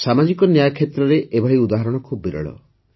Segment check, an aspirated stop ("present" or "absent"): present